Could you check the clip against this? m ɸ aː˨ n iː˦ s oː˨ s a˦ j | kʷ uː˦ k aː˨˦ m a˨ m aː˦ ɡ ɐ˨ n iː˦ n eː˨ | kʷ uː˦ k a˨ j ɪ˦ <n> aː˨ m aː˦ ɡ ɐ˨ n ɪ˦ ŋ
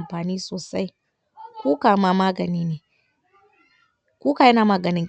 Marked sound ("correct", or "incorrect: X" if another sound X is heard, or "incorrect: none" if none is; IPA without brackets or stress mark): correct